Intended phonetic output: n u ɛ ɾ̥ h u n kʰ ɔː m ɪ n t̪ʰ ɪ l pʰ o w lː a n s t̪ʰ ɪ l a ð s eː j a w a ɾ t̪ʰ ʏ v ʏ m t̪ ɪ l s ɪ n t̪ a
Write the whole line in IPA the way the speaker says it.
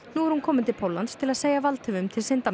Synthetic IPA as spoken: n u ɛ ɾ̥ h u n kʰ ɔː m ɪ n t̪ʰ ɪ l pʰ o w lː a n s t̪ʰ ɪ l a ð s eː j a v a l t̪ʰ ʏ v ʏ m t̪ʰ ɪ l s ɪ n t̪ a